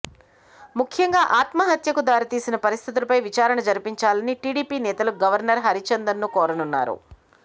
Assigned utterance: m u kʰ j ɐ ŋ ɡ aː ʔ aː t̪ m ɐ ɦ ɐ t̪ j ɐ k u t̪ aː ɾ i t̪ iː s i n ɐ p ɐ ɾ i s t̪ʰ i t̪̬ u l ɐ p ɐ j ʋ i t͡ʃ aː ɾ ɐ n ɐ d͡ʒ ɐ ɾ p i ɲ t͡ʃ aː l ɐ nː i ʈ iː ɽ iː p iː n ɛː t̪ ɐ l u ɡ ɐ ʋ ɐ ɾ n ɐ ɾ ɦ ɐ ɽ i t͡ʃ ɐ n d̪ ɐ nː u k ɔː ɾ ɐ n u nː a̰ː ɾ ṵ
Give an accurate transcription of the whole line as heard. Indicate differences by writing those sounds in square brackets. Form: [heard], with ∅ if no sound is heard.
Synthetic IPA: m u kʰ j ɐ ŋ ɡ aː ʔ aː t̪ m ɐ ɦ ɐ t̪ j ɐ k u [d̪] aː ɾ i t̪ iː s i n ɐ p ɐ ɾ i s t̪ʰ i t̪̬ u l ɐ p ɐ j ʋ i t͡ʃ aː ɾ ɐ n ɐ d͡ʒ ɐ ɾ p i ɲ t͡ʃ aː l ɐ [n] i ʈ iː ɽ iː p iː n ɛː t̪ ɐ l u ɡ ɐ ʋ ɐ ɾ n ɐ ɾ ɦ ɐ [ɾ] i t͡ʃ ɐ n d̪ ɐ nː u k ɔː ɾ ɐ n u nː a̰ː ɾ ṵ